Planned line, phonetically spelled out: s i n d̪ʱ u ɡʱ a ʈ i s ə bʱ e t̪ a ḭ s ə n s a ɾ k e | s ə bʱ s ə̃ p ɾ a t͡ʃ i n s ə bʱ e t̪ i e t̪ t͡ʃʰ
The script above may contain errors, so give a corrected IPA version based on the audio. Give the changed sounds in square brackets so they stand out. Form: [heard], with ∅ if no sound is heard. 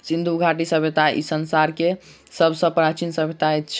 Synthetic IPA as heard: s i n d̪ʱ u ɡʱ a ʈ i s ə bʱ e t̪ a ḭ s ə n s a ɾ k e | s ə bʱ s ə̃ p ɾ a t͡ʃ i n s ə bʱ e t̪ [a] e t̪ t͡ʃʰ